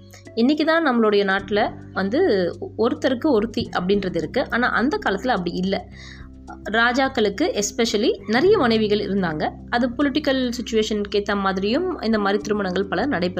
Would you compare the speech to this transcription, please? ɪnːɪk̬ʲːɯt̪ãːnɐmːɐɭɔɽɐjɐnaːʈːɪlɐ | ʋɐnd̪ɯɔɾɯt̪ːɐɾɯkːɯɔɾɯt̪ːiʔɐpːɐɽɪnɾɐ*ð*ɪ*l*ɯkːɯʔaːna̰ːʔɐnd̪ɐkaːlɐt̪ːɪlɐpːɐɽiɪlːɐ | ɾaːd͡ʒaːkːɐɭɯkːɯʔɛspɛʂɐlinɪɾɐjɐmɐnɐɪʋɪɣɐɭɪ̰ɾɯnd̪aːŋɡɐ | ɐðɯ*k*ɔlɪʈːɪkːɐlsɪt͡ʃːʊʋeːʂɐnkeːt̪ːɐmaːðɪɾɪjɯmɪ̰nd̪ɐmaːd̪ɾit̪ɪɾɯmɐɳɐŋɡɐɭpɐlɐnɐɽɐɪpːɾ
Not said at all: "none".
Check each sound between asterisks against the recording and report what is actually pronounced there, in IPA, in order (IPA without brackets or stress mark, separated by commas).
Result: ð, ɾ, p